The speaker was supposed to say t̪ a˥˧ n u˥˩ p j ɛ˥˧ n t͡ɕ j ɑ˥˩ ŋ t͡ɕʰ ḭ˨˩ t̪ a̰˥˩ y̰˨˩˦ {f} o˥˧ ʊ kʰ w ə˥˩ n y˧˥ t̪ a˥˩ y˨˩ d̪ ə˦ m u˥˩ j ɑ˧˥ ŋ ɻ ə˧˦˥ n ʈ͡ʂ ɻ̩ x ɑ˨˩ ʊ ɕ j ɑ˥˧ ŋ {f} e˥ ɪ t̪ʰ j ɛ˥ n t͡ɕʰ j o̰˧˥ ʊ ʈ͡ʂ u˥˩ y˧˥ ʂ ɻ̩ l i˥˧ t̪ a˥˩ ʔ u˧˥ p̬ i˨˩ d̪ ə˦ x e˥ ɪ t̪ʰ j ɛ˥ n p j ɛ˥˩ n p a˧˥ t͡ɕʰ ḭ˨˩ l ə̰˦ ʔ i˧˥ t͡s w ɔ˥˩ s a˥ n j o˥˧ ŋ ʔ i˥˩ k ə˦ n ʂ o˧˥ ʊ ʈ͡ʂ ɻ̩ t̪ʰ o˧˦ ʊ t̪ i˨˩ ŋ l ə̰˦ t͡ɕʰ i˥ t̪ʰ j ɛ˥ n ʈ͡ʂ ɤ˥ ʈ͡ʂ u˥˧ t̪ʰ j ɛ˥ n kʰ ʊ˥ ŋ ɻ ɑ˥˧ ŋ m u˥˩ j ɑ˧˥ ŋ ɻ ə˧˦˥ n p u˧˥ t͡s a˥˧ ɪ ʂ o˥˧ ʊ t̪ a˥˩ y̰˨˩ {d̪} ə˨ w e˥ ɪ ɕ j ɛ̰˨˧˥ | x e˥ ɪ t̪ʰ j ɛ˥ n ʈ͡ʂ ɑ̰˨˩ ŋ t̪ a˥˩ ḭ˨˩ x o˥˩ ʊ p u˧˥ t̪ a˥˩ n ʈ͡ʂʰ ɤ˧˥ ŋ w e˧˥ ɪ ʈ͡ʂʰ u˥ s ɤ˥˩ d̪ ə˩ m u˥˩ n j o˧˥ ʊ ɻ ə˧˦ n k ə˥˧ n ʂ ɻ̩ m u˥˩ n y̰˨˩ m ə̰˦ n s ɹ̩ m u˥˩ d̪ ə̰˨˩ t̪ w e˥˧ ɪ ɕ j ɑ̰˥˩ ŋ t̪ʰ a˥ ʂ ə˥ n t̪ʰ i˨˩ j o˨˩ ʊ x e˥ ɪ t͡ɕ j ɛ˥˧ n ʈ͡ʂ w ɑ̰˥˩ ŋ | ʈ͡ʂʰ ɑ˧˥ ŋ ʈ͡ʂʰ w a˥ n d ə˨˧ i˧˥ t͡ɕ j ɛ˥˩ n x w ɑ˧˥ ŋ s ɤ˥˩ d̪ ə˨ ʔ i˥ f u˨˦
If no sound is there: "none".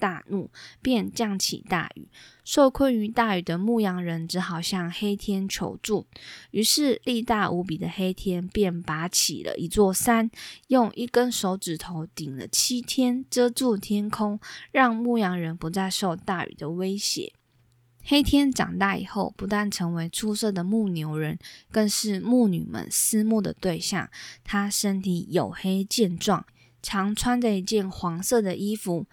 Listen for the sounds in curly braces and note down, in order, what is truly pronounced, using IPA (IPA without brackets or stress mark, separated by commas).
ʂ, x, d̪